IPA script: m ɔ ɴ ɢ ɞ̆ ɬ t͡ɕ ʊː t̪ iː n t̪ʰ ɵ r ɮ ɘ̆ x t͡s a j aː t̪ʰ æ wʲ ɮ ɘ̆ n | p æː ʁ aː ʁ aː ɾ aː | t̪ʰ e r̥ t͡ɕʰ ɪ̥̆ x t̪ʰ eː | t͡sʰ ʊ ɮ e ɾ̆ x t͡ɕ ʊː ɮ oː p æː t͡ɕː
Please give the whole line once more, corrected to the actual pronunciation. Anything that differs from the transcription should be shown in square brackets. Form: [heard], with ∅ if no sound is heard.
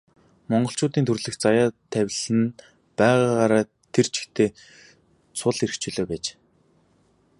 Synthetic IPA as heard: m ɔ ɴ ɢ ɞ̆ ɬ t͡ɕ ʊː t̪ iː n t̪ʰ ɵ r ɮ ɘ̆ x t͡s a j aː t̪ʰ æ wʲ ɮ ɘ̆ n | p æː ʁ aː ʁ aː ɾ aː | t̪ʰ e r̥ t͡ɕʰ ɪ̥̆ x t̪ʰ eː | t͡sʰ ʊ ɮ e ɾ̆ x t͡ɕ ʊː ɮ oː p æː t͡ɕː